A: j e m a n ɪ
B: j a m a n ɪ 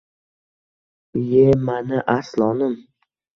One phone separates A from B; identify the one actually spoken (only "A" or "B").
A